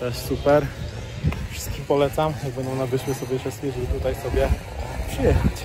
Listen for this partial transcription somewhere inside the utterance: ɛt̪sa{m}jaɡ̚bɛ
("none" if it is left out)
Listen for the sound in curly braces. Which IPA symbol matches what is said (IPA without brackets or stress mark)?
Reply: m